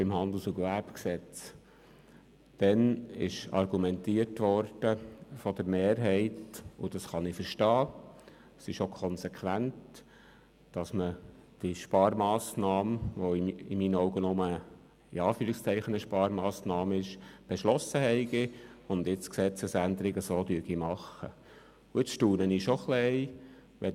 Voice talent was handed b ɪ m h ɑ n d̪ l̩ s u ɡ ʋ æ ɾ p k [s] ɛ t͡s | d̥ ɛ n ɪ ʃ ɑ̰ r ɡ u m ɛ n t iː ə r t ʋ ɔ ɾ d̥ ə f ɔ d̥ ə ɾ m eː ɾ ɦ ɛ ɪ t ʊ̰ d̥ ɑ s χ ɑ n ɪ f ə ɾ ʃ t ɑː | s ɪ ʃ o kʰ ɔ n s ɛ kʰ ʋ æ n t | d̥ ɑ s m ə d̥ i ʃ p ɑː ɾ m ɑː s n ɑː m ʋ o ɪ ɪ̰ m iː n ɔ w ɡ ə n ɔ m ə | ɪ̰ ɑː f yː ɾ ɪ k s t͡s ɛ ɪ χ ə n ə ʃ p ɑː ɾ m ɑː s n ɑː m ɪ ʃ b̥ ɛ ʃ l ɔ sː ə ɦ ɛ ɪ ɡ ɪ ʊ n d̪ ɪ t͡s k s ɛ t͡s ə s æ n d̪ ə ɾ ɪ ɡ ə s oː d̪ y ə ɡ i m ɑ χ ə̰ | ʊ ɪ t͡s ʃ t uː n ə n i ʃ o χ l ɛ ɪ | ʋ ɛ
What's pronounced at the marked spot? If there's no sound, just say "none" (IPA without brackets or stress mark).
s